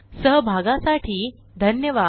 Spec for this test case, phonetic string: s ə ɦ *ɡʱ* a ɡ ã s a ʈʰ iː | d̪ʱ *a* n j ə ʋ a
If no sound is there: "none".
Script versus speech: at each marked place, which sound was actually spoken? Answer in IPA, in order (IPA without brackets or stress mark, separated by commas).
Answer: bʱ, ə